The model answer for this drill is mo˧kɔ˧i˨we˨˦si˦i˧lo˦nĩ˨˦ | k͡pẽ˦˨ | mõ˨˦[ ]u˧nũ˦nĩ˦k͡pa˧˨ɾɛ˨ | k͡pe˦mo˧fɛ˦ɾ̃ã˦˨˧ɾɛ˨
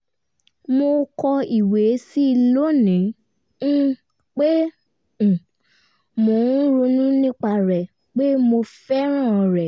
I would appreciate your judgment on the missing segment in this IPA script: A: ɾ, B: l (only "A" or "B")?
A